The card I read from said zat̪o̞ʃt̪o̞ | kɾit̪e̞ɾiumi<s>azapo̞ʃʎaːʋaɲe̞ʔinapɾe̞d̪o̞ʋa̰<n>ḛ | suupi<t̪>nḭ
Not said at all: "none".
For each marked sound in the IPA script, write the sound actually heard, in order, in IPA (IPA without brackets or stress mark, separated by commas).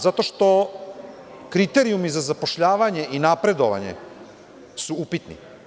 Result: z, ɲ, t̪